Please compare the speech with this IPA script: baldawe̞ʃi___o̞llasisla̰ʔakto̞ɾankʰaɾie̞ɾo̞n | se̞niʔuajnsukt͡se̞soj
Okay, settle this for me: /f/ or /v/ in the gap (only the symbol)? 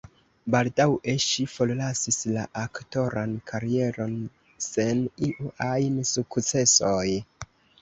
f